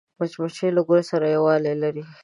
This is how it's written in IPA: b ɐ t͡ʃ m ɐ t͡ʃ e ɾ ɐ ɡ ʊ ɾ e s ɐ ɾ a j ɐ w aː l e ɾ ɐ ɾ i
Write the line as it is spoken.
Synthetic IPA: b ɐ t͡ʃ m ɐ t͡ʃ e l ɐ ɡ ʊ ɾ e s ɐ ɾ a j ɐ w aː l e l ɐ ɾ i